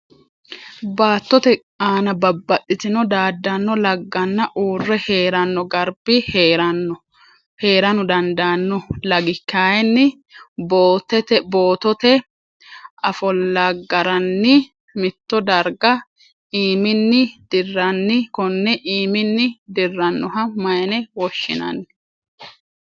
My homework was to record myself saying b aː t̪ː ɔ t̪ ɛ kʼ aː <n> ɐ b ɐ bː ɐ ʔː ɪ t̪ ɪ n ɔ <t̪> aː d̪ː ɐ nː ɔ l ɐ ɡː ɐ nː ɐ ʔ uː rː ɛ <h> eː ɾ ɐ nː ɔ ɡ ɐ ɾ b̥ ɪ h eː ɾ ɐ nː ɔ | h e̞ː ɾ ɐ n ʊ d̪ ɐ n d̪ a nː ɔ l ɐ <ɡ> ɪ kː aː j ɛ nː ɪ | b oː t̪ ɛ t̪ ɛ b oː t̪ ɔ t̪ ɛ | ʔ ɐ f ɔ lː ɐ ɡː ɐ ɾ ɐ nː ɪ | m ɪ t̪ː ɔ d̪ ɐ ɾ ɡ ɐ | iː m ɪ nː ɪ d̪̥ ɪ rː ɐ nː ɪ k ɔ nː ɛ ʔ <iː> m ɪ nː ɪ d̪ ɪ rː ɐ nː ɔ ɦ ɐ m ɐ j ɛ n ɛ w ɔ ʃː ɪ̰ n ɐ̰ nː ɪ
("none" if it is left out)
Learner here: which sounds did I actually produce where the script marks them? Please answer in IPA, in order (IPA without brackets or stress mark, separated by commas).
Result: n, d̪, h, ɡ, iː